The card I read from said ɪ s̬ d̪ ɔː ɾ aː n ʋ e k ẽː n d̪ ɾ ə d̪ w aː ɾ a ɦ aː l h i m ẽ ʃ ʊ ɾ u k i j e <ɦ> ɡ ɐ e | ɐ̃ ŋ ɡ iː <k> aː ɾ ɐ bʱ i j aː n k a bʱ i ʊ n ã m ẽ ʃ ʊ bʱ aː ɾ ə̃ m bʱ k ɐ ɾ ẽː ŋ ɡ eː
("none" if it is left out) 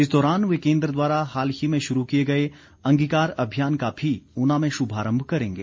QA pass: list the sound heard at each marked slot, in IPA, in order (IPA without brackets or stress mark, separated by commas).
none, k